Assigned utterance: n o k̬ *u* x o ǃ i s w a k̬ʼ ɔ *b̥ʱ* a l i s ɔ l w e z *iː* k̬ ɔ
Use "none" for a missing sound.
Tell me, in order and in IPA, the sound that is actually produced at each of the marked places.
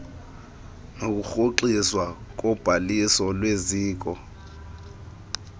u, b̥ʱ, iː

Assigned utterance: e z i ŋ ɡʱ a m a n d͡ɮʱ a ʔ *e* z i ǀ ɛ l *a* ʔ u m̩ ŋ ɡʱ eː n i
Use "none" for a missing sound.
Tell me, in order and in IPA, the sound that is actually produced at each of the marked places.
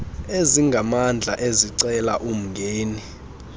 e, a

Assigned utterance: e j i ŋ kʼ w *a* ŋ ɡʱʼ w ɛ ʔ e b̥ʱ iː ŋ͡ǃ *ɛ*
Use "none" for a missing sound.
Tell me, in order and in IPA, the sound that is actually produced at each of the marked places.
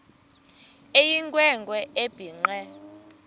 ɛ, ɛ

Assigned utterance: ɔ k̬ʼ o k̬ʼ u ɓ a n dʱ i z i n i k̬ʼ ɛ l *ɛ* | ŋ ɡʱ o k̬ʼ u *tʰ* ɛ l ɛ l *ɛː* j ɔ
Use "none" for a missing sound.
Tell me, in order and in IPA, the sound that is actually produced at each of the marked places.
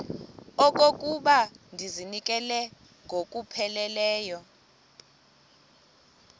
ɛ, pʰ, ɛː

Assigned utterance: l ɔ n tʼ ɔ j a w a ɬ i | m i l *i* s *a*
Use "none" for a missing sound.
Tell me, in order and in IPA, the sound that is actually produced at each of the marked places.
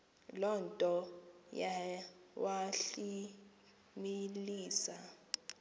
iː, a

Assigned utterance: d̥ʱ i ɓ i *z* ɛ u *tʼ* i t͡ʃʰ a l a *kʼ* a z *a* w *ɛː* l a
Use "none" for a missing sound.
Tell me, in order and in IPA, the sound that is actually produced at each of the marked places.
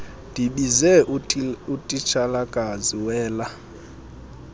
z, tʼ, kʼ, i, ɛː

